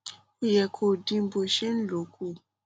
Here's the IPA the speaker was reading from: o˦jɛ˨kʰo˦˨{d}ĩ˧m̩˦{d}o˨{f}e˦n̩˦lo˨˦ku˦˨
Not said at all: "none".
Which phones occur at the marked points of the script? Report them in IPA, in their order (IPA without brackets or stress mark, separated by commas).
d, b, ʃ